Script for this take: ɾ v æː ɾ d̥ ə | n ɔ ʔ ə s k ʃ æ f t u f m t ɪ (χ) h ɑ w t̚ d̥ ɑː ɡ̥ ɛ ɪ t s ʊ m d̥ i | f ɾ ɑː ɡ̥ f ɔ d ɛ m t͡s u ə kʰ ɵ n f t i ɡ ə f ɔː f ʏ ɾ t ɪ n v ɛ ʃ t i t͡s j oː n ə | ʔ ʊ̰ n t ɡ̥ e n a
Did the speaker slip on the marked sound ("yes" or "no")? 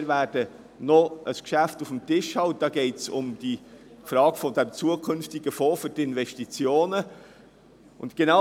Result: yes